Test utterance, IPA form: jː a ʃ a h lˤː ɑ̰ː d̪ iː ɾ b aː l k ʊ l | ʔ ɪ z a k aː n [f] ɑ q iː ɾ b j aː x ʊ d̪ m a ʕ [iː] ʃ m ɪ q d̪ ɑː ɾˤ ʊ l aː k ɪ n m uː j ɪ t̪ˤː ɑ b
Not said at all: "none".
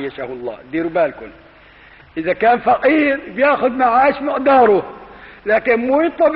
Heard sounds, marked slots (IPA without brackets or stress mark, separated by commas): f, aː